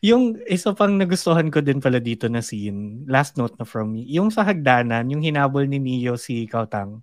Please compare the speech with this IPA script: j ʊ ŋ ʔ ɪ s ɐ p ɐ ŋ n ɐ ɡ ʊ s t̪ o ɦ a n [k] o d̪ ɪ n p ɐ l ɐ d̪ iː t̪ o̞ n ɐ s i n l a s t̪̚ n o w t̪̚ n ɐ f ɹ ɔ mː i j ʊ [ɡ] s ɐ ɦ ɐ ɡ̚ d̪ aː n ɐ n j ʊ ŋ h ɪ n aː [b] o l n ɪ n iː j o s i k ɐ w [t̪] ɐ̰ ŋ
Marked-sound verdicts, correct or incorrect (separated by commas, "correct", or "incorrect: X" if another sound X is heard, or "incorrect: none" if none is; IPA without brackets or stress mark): correct, incorrect: ŋ, correct, correct